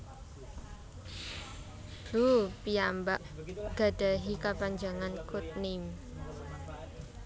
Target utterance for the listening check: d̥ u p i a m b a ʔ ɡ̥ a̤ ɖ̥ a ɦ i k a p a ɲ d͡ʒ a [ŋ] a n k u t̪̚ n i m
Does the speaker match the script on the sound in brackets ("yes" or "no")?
yes